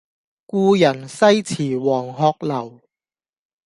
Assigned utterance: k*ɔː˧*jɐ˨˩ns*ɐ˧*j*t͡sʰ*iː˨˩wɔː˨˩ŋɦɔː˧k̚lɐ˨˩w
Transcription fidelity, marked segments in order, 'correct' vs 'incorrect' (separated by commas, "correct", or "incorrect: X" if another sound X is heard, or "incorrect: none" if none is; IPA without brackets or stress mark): incorrect: uː˧, incorrect: ɐ˥, correct